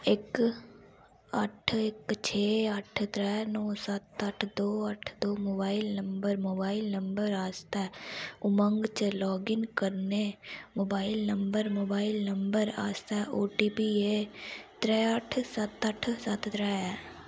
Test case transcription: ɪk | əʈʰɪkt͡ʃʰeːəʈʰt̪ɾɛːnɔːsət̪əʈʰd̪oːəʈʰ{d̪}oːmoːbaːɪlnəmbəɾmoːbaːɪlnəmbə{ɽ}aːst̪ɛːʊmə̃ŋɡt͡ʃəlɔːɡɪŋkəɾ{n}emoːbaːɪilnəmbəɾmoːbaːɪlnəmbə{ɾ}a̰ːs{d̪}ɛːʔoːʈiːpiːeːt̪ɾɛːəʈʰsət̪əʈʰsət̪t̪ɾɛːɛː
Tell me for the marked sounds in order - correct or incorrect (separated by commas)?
correct, incorrect, correct, correct, incorrect